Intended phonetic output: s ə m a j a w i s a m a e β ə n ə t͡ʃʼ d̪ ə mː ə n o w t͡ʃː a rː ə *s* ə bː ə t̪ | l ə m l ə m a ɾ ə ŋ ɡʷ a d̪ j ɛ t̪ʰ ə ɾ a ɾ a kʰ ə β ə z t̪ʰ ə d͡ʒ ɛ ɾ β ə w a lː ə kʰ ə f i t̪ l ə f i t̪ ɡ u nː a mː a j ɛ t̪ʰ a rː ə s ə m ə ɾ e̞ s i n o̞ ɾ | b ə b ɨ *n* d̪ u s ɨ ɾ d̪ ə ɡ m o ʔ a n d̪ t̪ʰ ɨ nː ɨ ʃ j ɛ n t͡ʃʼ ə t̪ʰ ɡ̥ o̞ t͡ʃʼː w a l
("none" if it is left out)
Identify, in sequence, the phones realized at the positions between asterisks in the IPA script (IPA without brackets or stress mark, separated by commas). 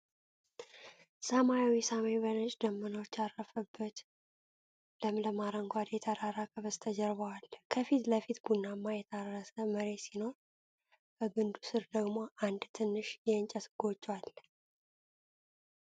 f, n